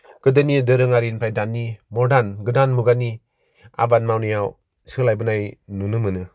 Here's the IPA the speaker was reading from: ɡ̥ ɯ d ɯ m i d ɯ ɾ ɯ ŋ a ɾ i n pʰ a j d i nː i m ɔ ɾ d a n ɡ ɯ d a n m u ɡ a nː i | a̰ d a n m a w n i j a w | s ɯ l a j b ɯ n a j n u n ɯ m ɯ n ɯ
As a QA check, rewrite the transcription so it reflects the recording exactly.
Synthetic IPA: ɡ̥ ɯ d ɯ n i d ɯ ɾ ɯ ŋ a ɾ i n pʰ a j d a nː i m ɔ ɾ d a n ɡ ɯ d a n m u ɡ a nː i | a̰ b a n m a w n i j a w | s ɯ l a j b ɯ n a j n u n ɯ m ɯ n ɯ